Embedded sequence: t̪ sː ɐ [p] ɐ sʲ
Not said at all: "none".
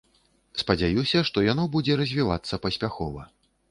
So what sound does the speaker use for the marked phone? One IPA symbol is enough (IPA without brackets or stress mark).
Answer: p